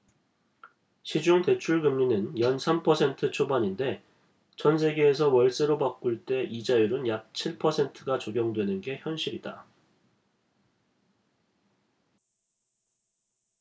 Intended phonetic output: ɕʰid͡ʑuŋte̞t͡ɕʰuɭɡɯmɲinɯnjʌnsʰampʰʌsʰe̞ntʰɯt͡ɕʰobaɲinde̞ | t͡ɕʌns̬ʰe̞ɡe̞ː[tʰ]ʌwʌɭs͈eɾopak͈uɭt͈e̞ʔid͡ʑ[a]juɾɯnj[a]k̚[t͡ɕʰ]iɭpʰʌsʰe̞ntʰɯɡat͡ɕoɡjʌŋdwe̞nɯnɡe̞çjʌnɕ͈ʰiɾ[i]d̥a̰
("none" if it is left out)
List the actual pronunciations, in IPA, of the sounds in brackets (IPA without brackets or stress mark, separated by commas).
sʰ, a, a, t͡ɕʰ, i